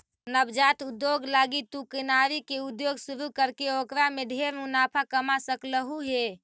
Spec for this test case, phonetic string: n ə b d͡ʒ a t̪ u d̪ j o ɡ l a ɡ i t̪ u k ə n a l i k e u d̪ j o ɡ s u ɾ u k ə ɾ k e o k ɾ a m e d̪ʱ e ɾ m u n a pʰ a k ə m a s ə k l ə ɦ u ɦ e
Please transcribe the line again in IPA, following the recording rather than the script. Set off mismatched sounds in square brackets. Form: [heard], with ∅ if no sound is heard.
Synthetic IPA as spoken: n ə b d͡ʒ a t̪ u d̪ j o ɡ l a ɡ i t̪ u k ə n a [ɾ] i k e u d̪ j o ɡ s u ɾ u k ə ɾ k e o k ɾ a m e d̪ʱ e ɾ m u n a pʰ a k ə m a s ə k l ə ɦ u ɦ e